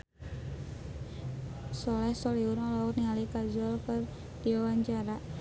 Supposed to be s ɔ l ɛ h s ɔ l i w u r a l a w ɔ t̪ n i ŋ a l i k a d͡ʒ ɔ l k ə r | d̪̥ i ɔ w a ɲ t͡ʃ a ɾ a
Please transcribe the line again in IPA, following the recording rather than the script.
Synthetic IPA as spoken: s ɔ l ɛ h s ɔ l i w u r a l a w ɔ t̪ n i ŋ a l i k a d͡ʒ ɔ l k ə r | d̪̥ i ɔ w a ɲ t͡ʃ a ɾ a

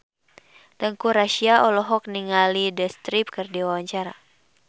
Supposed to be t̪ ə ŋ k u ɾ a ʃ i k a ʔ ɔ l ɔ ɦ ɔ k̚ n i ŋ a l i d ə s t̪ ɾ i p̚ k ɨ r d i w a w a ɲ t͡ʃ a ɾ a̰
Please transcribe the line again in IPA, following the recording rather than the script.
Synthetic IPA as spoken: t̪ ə ŋ k u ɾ a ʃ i a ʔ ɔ l ɔ ɦ ɔ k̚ n i ŋ a l i d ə s t̪ ɾ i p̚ k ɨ r d i w a w a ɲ t͡ʃ a ɾ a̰

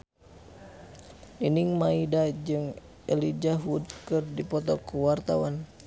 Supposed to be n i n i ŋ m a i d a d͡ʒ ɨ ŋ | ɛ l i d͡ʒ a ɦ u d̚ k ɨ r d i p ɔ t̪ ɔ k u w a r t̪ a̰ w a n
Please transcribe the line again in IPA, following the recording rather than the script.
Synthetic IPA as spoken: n i n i ŋ m a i d a d͡ʒ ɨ ŋ | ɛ l i d͡ʒ a ɦ u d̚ k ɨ r d i p ɔ t̪ ɔ k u w a r t̪ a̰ w a n

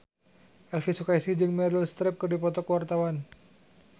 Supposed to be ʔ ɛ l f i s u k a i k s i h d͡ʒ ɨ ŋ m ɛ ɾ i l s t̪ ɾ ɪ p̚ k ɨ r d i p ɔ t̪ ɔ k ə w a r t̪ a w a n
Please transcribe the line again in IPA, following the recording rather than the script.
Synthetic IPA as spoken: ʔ ɛ l f i s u k a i s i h d͡ʒ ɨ ŋ m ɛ ɾ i l s t̪ ɾ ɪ p̚ k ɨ r d i p ɔ t̪ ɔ k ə w a r t̪ a w a n

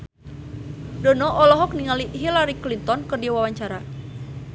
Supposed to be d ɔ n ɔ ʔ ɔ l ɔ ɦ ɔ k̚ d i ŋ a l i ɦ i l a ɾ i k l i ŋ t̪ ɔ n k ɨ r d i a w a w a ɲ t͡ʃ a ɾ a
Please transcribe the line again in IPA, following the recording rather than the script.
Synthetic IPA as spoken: d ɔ n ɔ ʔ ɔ l ɔ ɦ ɔ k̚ n i ŋ a l i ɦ i l a ɾ i k l i n t̪ ɔ n k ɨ r d i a w a w a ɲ t͡ʃ a ɾ a

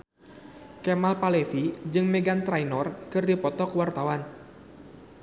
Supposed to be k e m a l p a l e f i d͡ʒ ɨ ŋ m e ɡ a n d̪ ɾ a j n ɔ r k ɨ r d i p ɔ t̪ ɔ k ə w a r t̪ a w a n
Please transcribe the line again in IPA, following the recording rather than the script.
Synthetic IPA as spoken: k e m a l p a l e f i d͡ʒ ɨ ŋ m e ɡ a n t̪ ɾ a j n ɔ r k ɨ r d i p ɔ t̪ ɔ k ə w a r t̪ a w a n

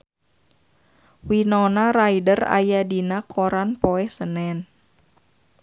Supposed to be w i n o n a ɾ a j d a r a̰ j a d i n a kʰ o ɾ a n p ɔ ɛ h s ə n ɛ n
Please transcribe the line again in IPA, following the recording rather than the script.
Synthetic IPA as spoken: w i n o n a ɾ a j d ə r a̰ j a d i n a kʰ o ɾ a n p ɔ ɛ h s ə n ɛ n

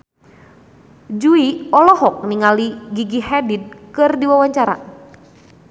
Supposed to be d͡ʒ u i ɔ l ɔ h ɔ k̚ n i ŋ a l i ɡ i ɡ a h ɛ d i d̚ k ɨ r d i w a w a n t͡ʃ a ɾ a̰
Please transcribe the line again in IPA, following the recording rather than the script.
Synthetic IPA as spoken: d͡ʒ u i ɔ l ɔ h ɔ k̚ n i ŋ a l i ɡ i ɡ i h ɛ d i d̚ k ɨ r d i w a w a ɲ t͡ʃ a ɾ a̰

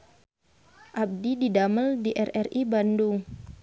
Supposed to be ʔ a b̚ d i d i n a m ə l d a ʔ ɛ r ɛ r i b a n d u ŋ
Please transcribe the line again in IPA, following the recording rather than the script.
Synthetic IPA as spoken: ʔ a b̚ d i d i d a m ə l d i ʔ ɛ r ɛ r i b a n d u ŋ

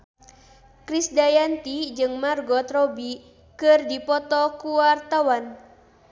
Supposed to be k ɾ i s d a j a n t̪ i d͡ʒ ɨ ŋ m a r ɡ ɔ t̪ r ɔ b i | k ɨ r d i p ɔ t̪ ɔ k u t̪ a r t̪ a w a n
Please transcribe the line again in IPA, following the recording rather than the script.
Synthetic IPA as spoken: k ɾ i s d a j a n t̪ i d͡ʒ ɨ ŋ m a r ɡ ɔ t̪ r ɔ b i | k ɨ r d i p ɔ t̪ ɔ k u a r t̪ a w a n

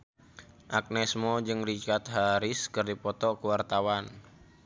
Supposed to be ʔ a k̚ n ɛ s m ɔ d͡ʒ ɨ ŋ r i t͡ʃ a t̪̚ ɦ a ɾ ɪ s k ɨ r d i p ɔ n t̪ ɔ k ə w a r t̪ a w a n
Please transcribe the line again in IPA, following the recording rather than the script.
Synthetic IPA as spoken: ʔ a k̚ n ɛ s m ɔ d͡ʒ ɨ ŋ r i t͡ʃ a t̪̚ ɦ a ɾ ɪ s k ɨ r d i p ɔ t̪ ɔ k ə w a r t̪ a w a n

